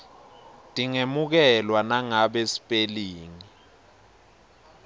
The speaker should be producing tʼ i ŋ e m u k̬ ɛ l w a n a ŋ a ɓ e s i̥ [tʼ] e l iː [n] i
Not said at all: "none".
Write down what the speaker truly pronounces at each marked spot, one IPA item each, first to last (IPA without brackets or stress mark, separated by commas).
pʼ, ŋ